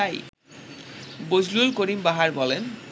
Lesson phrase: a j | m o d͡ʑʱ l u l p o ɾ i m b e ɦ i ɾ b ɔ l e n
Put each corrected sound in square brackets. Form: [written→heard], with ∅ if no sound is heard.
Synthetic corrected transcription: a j | [m→b] o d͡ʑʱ l u l [p→k] o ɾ i m b [e→a] ɦ [i→a] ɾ b ɔ l e n